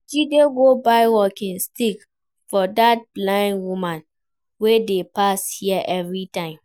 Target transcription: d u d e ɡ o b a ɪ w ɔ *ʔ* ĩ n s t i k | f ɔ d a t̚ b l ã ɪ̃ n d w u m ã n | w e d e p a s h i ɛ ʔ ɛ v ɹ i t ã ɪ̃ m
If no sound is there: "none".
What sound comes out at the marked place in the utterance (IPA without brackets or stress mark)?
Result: k